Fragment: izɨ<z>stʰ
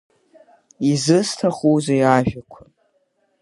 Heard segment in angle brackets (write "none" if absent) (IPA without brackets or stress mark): none